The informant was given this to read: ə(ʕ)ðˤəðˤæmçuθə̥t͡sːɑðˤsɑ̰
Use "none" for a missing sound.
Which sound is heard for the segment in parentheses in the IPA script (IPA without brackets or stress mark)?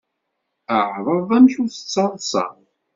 ʕ